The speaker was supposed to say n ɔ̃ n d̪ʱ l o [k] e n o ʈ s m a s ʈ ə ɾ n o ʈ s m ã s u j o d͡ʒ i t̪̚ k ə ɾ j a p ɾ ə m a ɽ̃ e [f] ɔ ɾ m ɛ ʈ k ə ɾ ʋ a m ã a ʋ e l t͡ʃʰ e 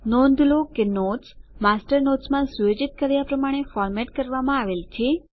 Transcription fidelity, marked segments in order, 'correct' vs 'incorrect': correct, correct

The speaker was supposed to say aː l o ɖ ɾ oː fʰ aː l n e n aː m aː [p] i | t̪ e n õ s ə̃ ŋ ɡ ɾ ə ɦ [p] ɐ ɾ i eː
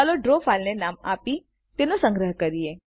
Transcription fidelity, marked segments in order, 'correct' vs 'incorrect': correct, incorrect

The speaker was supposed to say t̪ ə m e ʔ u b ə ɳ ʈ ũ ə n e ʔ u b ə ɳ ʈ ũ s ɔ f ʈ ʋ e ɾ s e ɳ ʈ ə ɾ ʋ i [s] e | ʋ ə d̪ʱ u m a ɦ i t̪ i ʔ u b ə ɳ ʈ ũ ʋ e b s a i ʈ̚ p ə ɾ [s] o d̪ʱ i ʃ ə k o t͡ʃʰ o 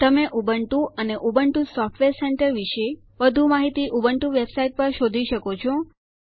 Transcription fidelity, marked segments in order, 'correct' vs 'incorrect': incorrect, incorrect

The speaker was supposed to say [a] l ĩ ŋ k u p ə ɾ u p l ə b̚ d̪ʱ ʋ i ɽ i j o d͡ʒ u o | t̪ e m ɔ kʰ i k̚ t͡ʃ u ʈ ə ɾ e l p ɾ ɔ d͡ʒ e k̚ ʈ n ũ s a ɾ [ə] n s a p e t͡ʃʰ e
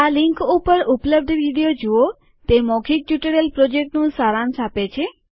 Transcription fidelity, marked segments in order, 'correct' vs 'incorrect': correct, incorrect

